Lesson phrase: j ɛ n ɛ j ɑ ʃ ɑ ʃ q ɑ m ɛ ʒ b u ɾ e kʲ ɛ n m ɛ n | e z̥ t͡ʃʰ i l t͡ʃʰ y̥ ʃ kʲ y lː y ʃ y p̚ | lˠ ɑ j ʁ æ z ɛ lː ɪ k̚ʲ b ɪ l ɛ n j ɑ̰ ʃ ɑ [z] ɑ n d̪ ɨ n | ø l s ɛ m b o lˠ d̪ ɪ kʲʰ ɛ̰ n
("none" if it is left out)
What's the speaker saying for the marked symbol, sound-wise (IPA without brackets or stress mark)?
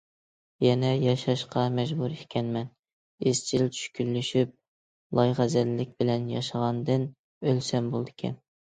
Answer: ʁ